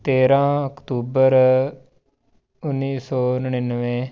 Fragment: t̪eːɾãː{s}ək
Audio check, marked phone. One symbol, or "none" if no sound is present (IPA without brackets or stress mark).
none